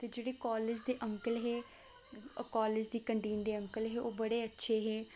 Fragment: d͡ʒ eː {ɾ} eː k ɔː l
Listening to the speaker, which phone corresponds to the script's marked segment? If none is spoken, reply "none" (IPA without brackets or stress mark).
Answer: ɽ